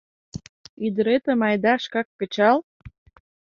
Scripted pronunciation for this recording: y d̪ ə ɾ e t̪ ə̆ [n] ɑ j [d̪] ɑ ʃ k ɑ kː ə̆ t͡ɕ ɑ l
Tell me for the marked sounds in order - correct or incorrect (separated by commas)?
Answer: incorrect, correct